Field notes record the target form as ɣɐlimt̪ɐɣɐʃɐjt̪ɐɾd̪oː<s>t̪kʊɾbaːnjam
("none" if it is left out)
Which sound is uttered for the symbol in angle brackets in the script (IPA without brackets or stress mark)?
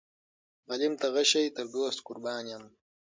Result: s